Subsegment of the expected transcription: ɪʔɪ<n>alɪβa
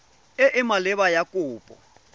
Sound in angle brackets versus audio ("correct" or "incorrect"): incorrect